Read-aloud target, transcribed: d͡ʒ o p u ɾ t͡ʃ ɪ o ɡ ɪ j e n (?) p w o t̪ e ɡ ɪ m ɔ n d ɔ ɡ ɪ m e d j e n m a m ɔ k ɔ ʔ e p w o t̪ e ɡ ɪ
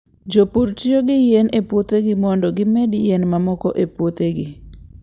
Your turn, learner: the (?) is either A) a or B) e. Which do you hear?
B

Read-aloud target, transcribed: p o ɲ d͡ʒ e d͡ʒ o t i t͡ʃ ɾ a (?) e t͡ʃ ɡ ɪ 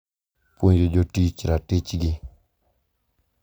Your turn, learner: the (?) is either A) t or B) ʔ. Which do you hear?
A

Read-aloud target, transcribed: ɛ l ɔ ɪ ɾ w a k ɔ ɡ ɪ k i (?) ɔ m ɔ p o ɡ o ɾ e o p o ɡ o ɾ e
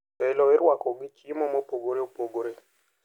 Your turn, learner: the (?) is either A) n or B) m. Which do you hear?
B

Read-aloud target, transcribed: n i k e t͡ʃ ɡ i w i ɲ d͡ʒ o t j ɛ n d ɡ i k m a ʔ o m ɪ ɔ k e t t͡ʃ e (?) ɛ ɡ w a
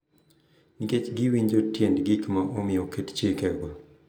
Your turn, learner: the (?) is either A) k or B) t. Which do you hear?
A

